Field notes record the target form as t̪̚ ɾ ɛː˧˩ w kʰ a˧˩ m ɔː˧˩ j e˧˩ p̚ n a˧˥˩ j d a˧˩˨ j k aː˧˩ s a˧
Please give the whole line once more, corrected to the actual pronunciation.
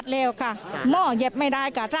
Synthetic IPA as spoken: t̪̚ l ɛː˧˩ w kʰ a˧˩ m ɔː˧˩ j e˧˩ p̚ m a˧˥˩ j d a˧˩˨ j k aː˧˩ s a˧